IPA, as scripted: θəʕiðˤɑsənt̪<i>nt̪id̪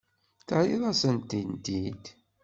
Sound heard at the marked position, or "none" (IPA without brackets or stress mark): i